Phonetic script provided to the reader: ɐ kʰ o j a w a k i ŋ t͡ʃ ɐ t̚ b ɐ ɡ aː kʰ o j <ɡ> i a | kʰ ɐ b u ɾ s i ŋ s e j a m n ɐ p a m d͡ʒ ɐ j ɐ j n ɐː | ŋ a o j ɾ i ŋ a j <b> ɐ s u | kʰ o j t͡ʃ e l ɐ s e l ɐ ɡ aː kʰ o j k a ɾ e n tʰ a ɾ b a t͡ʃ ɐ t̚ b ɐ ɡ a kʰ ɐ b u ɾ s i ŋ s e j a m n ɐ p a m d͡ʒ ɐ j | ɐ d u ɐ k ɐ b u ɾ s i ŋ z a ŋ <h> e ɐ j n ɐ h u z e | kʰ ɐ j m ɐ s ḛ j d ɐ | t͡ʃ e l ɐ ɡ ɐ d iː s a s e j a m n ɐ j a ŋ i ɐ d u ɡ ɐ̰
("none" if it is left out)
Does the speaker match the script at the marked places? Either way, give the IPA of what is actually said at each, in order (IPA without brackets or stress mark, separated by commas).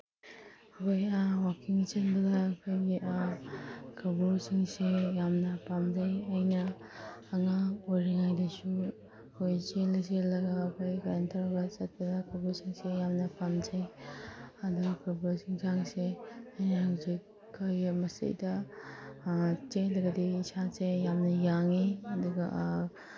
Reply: ɡ, d, s